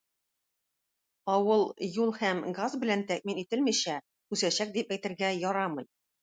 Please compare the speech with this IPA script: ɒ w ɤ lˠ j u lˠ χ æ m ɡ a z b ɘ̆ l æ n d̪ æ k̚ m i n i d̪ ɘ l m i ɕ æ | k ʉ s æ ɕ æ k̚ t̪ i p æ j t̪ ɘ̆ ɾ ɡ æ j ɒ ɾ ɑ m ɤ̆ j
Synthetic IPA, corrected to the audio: ɒ w ɤ lˠ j u lˠ h æ m ɡ a z b ɘ̆ l æ n t̪ æ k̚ m i n i t̪ ɘ l m i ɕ æ | k ʉ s æ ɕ æ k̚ d̪ i p æ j t̪ ɘ̆ ɾ ɡ æ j ɒ ɾ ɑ m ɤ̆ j